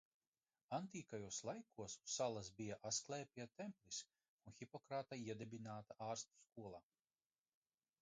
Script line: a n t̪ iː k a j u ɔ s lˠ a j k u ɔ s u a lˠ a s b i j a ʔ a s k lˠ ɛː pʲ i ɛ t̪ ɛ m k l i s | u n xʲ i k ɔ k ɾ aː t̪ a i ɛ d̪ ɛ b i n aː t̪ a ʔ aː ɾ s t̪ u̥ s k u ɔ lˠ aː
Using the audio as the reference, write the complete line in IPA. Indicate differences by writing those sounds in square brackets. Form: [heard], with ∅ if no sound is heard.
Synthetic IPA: a n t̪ iː k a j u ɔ s lˠ a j k u ɔ s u a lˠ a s b i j a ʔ a s k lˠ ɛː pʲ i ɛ t̪ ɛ m [p] l i s | u n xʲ i [p] ɔ k ɾ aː t̪ a i ɛ d̪ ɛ b i n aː t̪ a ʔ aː ɾ s t̪ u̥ s k u ɔ lˠ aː

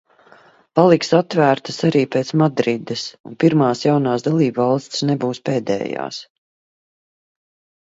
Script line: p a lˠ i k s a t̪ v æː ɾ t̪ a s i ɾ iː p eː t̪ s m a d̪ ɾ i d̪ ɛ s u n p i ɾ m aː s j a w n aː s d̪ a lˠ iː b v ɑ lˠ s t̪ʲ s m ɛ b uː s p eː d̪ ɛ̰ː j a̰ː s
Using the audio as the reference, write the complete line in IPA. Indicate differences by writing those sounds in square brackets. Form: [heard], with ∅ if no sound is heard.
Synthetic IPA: p a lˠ i k s a t̪ v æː ɾ t̪ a s [a] ɾ iː p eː t̪ s m a d̪ ɾ i d̪ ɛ s u n p i ɾ m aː s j a w n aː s d̪ a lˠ iː b v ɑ lˠ s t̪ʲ s [n] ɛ b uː s p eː d̪ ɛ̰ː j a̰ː s

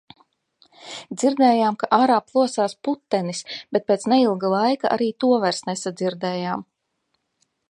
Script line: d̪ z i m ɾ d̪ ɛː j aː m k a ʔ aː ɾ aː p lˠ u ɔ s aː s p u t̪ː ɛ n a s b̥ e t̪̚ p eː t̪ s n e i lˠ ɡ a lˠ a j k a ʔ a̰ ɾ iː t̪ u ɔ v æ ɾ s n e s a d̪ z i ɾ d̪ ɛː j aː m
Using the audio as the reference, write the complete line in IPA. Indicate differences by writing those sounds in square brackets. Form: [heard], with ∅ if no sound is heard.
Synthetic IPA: d̪ z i [∅] ɾ d̪ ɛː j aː m k a ʔ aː ɾ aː p lˠ u ɔ s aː s p u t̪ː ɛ n [i] s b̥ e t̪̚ p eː t̪ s n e i lˠ ɡ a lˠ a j k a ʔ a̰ ɾ iː t̪ u ɔ v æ ɾ s n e s a d̪ z i ɾ d̪ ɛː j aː m

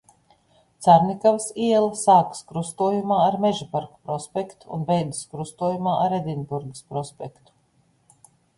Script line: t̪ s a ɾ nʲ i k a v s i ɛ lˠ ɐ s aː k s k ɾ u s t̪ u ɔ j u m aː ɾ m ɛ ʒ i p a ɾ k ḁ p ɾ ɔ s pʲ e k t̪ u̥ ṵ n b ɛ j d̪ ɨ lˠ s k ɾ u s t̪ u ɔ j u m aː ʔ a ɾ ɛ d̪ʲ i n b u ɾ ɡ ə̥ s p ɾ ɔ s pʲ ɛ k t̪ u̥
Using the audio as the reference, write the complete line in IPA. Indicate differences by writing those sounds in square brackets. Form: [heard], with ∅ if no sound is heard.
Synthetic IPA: t̪ s a ɾ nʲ i k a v s i ɛ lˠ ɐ s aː k s k ɾ u s t̪ u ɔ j u m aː ɾ m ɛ ʒ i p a ɾ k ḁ p ɾ ɔ s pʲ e k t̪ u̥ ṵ n b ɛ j d̪ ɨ [∅] s k ɾ u s t̪ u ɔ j u m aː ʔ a ɾ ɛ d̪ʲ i n b u ɾ ɡ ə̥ s p ɾ ɔ s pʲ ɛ k t̪ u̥

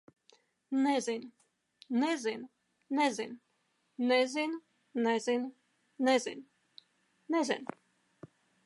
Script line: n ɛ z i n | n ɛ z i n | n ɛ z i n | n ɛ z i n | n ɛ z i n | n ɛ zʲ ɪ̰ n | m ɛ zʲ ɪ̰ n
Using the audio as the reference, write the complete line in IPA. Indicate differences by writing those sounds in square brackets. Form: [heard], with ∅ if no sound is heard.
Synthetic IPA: n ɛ z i n | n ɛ z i n | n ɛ z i n | n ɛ z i n | n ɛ z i n | n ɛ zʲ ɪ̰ n | [n] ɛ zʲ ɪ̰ n

